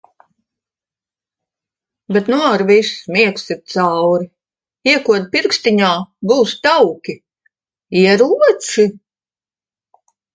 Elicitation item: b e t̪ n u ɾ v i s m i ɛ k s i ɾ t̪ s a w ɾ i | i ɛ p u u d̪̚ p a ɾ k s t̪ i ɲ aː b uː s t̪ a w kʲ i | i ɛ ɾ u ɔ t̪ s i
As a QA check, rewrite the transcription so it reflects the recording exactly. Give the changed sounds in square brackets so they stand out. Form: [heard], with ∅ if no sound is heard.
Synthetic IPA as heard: b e t̪ n u ɾ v i s m i ɛ k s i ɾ t̪ s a w ɾ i | i ɛ [k] u [ɔ] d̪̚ p [i] ɾ k s t̪ i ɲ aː b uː s t̪ a w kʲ i | i ɛ ɾ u ɔ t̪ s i